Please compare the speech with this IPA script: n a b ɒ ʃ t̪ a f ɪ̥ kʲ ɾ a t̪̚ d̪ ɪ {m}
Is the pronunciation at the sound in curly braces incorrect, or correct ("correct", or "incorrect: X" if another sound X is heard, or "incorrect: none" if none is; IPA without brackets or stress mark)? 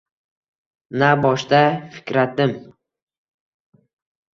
correct